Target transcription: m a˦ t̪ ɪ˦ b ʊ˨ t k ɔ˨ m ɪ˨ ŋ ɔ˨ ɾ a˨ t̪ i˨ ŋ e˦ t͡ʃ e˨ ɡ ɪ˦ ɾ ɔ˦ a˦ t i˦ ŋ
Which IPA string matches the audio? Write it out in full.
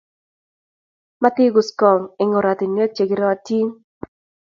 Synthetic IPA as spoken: m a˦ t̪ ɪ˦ ɡ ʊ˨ s k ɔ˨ ŋ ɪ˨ ŋ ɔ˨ ɾ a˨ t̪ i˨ n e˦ t͡ʃ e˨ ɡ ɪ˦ ɾ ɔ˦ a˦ t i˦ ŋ